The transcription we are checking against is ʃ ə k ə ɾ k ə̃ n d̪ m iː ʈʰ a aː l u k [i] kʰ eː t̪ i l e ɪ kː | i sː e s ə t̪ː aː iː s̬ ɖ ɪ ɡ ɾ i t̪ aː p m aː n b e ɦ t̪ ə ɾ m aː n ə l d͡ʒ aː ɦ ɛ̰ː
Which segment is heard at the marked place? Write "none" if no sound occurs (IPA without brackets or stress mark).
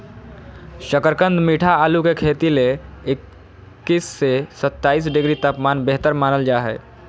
e